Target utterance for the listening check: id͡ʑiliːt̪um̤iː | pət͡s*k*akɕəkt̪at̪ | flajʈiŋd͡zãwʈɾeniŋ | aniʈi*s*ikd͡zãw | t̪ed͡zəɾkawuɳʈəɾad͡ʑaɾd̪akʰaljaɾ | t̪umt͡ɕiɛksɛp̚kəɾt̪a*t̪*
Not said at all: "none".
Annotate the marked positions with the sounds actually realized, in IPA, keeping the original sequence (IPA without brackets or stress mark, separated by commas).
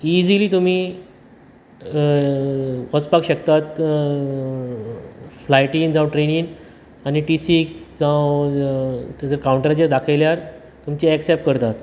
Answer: p, s, t̪